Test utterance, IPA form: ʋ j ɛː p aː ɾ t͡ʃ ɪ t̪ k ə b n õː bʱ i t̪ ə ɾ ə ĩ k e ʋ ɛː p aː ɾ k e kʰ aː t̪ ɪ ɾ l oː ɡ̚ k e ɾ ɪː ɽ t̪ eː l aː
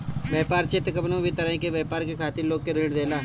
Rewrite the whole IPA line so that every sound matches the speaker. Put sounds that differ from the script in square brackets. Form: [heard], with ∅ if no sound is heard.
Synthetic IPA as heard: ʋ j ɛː p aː ɾ t͡ʃ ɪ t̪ k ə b n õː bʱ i t̪ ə ɾ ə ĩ k e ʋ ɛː p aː ɾ k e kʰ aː t̪ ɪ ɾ l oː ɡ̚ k e ɾ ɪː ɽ [d̪] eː l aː